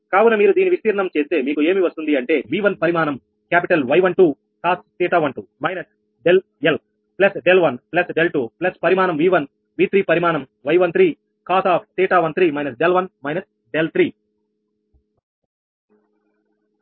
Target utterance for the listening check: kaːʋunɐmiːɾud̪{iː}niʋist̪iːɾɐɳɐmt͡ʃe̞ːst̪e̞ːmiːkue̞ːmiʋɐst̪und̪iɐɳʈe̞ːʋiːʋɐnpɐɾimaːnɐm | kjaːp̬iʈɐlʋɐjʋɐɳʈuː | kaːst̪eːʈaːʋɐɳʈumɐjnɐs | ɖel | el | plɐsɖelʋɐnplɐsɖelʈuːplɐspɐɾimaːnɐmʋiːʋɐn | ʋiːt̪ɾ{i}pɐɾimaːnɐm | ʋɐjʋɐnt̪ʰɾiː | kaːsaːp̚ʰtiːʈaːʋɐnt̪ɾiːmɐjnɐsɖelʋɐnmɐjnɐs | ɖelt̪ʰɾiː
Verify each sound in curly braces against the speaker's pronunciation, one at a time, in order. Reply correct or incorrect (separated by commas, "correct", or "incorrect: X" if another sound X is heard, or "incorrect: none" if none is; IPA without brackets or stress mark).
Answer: correct, incorrect: iː